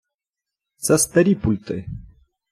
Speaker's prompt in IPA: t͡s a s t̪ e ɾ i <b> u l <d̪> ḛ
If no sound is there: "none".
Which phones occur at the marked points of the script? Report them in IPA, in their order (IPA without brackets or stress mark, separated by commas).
p, t̪